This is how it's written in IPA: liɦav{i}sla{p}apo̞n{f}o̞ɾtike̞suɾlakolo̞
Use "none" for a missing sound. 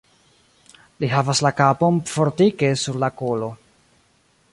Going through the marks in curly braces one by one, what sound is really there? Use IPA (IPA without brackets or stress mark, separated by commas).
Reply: a, k, f